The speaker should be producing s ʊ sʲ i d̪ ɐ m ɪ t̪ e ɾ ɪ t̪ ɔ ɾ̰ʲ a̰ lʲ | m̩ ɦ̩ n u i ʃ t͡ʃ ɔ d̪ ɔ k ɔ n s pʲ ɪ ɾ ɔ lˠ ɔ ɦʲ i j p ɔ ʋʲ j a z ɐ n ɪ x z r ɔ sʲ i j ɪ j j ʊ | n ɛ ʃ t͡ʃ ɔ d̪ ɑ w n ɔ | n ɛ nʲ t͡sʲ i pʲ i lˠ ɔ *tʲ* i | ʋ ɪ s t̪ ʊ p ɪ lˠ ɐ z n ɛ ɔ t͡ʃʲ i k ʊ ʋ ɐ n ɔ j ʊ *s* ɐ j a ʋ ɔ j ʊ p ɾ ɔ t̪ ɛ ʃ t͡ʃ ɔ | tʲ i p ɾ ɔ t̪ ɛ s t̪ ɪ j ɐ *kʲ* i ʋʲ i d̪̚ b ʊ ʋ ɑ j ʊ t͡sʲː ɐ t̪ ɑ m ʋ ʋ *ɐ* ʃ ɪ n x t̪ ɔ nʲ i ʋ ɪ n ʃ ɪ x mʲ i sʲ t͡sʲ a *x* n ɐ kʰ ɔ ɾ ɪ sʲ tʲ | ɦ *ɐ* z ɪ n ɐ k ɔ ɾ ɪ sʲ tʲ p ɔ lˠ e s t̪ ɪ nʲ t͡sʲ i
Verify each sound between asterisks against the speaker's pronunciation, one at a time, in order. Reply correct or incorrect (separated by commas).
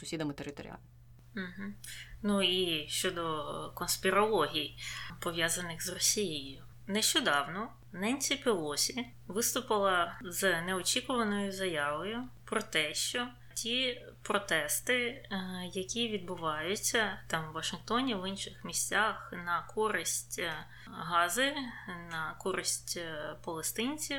incorrect, incorrect, correct, correct, correct, incorrect